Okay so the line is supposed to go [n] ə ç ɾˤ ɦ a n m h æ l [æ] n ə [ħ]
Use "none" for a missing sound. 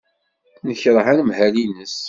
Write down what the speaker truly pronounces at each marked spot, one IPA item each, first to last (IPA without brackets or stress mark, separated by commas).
n, i, s